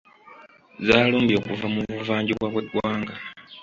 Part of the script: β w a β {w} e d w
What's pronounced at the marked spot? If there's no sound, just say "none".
w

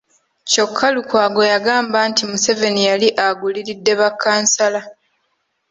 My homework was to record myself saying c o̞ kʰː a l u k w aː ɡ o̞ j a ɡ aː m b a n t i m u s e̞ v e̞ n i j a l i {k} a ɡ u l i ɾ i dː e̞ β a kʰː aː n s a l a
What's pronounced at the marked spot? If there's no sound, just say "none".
ʔ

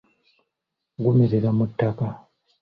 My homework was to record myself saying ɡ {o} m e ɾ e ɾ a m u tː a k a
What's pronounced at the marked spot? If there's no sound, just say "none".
u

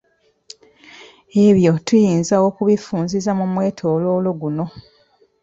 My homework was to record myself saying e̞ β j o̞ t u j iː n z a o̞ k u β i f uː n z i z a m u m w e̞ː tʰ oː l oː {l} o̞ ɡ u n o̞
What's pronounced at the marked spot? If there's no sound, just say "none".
l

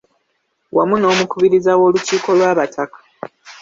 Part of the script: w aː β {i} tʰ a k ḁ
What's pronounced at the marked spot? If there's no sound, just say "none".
a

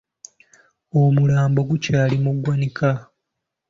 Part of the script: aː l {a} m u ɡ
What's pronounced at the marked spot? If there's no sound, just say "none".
i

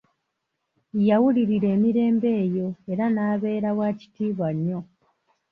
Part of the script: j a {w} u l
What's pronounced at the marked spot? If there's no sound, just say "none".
w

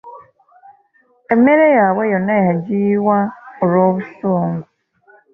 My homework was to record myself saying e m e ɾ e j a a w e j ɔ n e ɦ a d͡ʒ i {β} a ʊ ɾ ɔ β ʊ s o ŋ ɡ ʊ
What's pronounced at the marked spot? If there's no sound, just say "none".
w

